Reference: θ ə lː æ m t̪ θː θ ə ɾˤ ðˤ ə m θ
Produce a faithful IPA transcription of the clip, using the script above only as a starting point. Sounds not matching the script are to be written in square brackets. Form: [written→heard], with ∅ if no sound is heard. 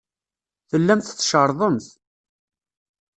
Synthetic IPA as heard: θ ə lː æ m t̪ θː [θ→ʃ] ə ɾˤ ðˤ ə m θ